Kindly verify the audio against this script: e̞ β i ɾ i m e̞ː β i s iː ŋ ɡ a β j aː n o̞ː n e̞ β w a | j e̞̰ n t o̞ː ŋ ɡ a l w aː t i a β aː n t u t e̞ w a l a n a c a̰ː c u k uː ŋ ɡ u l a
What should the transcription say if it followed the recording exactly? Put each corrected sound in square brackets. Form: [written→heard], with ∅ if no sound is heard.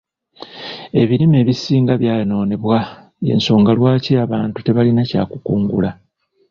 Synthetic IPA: e̞ β i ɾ i m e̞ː β i s iː ŋ ɡ a β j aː n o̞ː n e̞ β w a | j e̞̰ n [t→s] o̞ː ŋ ɡ a l w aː [t→c] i a β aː n t u t e̞ [w→β] a l [a→i] n a c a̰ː [c→k] u k uː ŋ ɡ u l a